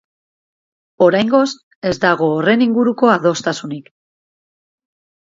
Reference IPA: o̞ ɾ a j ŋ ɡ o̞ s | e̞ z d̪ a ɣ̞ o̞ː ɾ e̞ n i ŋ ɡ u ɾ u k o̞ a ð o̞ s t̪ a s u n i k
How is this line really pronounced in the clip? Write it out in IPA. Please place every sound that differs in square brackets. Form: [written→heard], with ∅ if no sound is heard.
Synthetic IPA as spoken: o̞ ɾ a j ŋ ɡ o̞ s | e̞ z d̪ a ɣ̞ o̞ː [ɾ→r] e̞ n i ŋ ɡ u ɾ u k o̞ a ð o̞ s t̪ a s u n i k

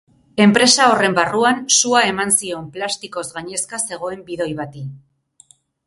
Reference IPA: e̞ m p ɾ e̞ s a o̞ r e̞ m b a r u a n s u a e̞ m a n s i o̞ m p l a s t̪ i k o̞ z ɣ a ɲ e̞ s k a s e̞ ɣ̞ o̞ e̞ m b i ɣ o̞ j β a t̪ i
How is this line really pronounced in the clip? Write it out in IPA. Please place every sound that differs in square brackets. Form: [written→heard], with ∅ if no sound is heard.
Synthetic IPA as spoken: e̞ m p ɾ e̞ s a o̞ r e̞ m b a r u a n s u a e̞ m a n s i o̞ m p l a s t̪ i k o̞ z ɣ a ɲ e̞ s k a s e̞ ɣ̞ o̞ e̞ m b i [ɣ→ð] o̞ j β a t̪ i

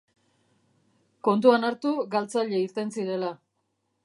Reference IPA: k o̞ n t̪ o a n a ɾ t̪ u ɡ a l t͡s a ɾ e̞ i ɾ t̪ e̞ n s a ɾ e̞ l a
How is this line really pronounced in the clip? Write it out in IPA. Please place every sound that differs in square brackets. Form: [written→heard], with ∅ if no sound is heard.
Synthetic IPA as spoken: k o̞ n t̪ [o→u] a n a ɾ t̪ u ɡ a l t͡s a [ɾ→ʎ] e̞ i ɾ t̪ e̞ n s [a→i] ɾ e̞ l a

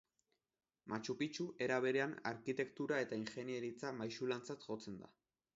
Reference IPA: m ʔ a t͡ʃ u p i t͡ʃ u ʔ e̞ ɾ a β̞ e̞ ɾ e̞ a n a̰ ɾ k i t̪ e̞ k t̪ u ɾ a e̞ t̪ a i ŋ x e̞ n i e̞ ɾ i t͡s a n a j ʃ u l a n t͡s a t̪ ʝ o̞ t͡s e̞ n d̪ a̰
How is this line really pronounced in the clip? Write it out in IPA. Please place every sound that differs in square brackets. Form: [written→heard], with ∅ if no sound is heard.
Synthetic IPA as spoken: m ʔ a t͡ʃ u p i t͡ʃ u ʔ e̞ ɾ a β̞ e̞ ɾ e̞ a n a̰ ɾ k i t̪ e̞ k t̪ u ɾ a e̞ t̪ a i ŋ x e̞ n i e̞ ɾ i t͡s a [n→m] a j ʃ u l a n t͡s a t̪ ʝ o̞ t͡s e̞ n d̪ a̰

